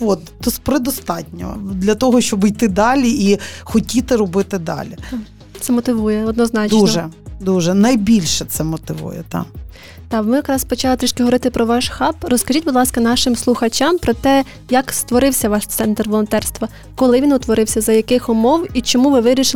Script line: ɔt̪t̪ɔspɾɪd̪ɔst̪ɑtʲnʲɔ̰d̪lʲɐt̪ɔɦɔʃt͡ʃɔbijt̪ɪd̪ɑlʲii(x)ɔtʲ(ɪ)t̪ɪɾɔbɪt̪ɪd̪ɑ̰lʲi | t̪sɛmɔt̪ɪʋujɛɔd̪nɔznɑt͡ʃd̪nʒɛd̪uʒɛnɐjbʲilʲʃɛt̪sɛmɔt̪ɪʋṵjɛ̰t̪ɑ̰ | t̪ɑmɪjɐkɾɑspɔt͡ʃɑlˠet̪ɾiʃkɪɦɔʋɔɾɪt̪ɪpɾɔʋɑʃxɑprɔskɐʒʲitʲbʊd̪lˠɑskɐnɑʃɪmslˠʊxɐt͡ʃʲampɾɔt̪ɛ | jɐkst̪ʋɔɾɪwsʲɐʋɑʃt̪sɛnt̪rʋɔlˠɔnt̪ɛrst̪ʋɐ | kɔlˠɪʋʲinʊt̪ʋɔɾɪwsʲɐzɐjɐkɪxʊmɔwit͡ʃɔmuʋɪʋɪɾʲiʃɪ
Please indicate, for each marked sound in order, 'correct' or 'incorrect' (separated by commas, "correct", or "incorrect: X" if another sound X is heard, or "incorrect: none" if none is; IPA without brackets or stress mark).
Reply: correct, incorrect: i